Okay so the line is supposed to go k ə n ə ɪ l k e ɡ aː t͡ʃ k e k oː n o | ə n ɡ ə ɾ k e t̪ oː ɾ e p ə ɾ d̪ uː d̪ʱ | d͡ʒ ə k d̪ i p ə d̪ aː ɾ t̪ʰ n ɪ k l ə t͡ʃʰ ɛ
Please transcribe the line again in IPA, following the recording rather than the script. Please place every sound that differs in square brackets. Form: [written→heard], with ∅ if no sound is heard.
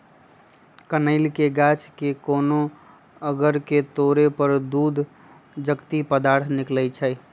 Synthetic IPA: k ə n ə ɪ l k e ɡ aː t͡ʃ k e k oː n o | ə [n→∅] ɡ ə ɾ k e t̪ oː ɾ e p ə ɾ d̪ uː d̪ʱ | d͡ʒ ə k [d̪→t̪] i p ə d̪ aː ɾ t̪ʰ n ɪ k l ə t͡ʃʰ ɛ